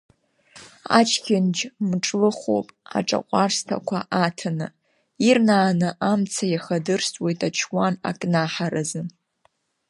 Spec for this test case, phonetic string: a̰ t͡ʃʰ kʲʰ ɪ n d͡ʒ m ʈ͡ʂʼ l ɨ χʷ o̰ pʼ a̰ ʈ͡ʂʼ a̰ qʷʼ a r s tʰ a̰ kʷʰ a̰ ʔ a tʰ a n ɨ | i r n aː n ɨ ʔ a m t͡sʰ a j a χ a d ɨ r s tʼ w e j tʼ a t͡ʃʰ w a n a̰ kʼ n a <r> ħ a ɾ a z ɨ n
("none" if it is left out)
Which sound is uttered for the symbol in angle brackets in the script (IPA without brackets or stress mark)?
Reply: none